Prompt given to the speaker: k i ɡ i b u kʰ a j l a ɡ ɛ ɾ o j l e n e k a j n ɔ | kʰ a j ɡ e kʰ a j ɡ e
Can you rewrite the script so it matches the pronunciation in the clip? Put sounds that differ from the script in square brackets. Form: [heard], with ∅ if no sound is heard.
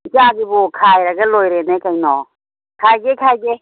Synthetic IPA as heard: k [a] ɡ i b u kʰ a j [ɾ] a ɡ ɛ [l] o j [ɾ] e n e k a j n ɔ | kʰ a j ɡ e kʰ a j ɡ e